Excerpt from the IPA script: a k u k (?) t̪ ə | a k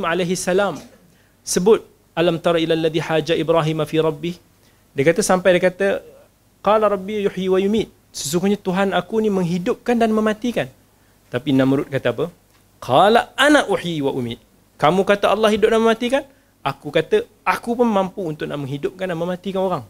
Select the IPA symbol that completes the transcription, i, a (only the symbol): a